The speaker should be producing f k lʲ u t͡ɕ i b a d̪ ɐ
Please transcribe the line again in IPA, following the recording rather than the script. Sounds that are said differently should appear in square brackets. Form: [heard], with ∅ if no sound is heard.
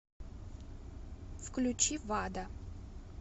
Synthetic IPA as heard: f k lʲ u t͡ɕ i [v] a d̪ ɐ

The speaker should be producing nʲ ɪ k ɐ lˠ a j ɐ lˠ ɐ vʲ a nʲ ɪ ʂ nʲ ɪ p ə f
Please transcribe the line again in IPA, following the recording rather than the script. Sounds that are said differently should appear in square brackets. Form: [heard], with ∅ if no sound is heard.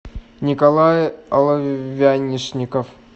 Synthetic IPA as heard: nʲ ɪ k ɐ lˠ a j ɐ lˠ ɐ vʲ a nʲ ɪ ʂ nʲ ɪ [k] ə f

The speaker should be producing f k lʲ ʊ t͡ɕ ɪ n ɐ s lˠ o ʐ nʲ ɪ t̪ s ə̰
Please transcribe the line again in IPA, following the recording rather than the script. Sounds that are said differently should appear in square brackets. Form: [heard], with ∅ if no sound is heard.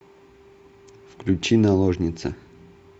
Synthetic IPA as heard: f k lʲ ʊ t͡ɕ [i] n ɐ [∅] lˠ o ʐ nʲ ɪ t̪ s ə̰

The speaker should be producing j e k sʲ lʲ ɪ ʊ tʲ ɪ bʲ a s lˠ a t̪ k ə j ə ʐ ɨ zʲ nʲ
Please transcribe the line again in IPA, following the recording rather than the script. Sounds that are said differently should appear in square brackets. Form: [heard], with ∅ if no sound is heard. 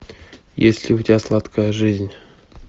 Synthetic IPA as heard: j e [∅] sʲ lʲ ɪ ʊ tʲ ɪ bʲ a s lˠ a t̪ k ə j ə ʐ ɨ zʲ nʲ

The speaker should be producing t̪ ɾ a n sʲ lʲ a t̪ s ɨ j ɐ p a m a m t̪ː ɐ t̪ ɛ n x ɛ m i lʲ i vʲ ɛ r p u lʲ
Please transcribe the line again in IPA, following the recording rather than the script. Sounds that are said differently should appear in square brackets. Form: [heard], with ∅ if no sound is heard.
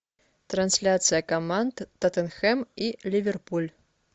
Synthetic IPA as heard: t̪ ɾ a n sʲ lʲ a t̪ s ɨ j ɐ [k] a m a [n] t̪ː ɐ t̪ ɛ n x ɛ m i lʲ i vʲ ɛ r p u lʲ

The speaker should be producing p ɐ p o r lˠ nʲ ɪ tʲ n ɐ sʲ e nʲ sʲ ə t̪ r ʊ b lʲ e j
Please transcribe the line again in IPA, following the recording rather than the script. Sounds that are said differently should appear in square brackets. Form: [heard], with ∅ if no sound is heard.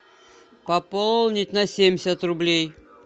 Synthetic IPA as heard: p ɐ p o [l] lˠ nʲ ɪ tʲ n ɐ sʲ e [mʲ] sʲ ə t̪ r ʊ b lʲ e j

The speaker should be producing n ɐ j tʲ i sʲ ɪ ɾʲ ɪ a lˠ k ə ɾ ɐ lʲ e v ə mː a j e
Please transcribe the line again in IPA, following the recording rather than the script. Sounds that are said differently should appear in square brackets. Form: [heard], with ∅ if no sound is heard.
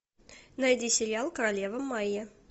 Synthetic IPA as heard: n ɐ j [dʲ] i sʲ ɪ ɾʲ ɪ a lˠ k ə ɾ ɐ lʲ e v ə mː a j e

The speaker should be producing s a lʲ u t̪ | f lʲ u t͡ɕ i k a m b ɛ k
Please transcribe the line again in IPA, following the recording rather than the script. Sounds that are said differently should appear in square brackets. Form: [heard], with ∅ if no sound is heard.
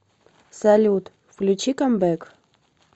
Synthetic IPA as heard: s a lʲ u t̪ | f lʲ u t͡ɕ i k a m b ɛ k

